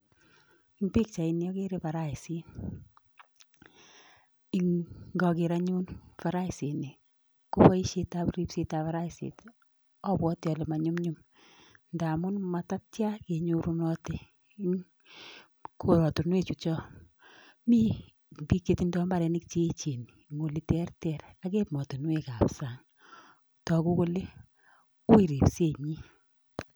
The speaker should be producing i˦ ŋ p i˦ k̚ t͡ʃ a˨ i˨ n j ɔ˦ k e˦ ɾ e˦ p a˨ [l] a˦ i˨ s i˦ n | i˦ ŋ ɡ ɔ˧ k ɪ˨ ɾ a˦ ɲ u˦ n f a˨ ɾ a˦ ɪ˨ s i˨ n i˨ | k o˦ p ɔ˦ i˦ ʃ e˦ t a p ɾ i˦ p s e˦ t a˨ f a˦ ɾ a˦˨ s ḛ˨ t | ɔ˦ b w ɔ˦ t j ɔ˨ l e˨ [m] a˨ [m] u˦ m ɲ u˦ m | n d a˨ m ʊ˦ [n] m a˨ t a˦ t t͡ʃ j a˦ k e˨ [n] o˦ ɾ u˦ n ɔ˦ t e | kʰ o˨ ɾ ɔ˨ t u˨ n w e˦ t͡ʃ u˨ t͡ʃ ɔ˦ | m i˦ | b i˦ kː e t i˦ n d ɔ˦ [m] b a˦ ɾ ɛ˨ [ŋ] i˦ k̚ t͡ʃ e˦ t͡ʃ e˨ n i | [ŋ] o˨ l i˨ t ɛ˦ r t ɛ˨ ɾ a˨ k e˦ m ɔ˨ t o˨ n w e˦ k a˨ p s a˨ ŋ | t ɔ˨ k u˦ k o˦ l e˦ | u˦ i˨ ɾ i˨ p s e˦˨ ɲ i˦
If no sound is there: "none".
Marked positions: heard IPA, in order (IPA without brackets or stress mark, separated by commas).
ɾ, m, ɲ, n, ɲ, m, n, ŋ